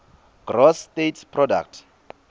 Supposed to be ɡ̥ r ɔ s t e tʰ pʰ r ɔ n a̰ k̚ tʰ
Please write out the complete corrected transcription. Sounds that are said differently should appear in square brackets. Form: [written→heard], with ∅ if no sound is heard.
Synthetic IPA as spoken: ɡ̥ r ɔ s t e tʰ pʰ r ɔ [n→d] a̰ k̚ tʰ